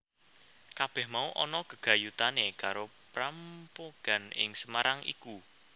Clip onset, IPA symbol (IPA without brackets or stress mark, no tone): k